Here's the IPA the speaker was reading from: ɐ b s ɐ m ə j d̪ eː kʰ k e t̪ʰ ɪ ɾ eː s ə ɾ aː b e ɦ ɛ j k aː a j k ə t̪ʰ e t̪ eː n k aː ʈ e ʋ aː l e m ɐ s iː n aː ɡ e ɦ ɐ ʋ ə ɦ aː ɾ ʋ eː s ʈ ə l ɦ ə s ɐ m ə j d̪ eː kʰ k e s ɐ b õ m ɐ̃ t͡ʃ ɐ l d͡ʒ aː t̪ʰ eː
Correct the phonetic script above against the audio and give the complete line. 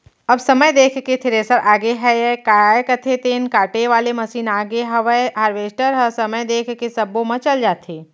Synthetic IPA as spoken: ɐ b s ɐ m ə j d̪ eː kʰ k e t̪ʰ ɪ ɾ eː s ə ɾ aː ɡ e ɦ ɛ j k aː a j k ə t̪ʰ e t̪ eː n k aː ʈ e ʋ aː l e m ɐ s iː n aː ɡ e ɦ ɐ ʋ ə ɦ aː ɾ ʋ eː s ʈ ə ɾ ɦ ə s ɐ m ə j d̪ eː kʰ k e s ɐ b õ m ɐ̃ t͡ʃ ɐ l d͡ʒ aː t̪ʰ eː